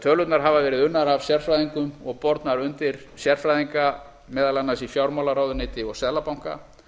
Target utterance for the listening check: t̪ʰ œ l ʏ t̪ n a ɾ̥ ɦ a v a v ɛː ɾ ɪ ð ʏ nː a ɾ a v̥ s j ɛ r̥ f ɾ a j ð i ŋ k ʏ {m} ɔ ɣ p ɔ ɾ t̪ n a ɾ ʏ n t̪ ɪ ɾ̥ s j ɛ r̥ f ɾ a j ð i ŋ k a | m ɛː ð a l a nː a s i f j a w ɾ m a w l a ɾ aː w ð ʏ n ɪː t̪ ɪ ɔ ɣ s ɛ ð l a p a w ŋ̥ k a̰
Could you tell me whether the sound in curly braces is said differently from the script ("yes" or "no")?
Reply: no